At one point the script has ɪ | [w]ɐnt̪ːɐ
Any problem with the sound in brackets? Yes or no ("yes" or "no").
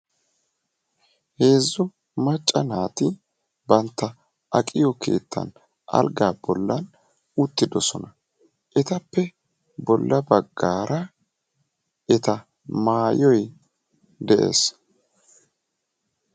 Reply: yes